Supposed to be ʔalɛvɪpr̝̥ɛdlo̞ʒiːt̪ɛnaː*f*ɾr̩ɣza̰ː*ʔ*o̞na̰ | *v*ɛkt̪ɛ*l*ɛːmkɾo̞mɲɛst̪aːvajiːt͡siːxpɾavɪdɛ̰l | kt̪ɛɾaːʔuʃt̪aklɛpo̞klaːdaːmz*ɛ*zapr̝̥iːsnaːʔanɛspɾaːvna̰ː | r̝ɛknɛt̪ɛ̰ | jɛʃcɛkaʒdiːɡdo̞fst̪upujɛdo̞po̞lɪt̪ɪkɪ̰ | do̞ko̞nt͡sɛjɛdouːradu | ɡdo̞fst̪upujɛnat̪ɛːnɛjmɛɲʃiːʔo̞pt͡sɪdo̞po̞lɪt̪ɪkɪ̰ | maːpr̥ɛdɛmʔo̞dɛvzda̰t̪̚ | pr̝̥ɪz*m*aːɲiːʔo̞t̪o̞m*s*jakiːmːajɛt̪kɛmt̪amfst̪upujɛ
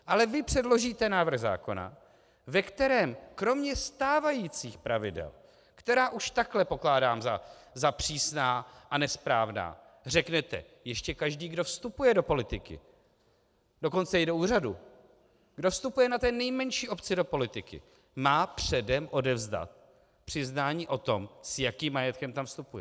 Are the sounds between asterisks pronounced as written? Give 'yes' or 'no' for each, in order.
no, no, yes, no, no, no, yes

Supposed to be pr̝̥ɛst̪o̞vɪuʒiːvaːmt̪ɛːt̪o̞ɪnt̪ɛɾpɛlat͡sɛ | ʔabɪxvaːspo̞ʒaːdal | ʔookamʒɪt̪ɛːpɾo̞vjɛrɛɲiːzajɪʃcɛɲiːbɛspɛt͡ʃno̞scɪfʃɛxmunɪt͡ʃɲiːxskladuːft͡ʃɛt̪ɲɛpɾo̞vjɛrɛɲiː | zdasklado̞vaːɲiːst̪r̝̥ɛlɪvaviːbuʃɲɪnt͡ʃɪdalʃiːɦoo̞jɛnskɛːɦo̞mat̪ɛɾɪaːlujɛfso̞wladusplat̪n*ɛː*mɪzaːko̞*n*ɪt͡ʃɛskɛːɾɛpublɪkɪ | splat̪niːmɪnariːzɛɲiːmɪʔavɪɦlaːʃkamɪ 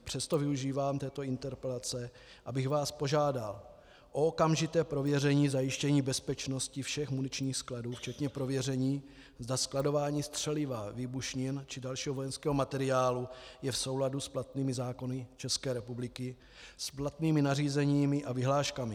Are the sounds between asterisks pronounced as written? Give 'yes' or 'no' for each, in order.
no, yes

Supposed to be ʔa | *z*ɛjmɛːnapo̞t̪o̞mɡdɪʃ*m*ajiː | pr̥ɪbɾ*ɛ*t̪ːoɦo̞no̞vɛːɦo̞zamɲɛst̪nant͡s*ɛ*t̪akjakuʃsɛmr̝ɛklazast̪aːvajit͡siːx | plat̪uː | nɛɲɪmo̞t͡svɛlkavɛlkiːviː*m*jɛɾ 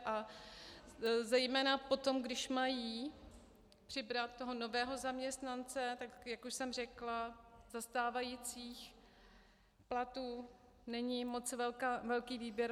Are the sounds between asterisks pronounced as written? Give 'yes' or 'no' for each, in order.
yes, yes, no, yes, no

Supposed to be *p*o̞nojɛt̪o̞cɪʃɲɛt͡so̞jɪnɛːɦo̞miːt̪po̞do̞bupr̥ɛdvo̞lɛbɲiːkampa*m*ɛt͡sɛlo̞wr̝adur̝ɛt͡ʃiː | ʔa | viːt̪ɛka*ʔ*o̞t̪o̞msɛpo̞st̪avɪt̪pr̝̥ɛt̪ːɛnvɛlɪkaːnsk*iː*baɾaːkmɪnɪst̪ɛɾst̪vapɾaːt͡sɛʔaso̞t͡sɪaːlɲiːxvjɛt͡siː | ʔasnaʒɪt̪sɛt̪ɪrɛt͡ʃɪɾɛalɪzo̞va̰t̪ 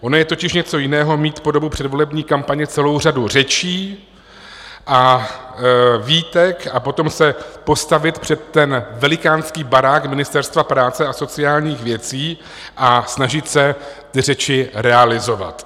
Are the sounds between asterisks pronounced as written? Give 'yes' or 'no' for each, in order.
no, no, no, yes

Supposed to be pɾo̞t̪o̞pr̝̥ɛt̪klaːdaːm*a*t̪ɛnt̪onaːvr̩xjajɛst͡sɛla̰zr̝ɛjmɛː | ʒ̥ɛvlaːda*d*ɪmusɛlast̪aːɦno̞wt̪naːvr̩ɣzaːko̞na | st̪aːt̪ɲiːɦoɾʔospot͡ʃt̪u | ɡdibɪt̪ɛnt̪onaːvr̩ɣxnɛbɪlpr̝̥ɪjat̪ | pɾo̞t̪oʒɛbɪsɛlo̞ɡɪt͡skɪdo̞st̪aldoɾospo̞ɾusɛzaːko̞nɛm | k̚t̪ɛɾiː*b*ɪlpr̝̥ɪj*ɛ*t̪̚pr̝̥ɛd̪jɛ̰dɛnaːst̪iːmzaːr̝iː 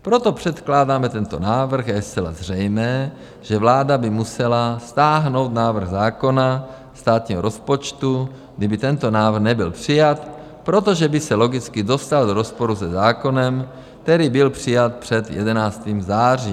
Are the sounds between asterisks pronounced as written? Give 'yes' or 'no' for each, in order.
no, no, yes, no

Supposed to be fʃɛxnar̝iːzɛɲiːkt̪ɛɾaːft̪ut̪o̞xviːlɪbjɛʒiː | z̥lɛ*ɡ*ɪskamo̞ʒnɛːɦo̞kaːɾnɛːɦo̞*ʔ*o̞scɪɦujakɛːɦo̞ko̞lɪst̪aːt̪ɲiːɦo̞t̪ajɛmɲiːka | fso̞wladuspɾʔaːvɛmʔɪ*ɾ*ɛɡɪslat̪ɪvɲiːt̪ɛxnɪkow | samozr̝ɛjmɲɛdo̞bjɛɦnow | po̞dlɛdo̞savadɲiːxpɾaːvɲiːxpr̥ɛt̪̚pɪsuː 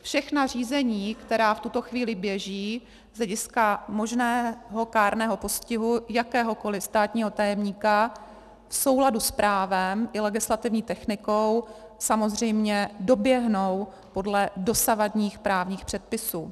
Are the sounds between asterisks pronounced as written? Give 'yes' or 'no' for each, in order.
no, no, no

